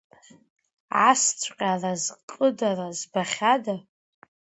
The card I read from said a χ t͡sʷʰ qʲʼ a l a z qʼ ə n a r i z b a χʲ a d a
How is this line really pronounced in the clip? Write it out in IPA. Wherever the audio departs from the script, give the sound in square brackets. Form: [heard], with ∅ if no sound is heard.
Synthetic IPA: a [s] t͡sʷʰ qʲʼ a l a z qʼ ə [d] a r [a] z b a χʲ a d a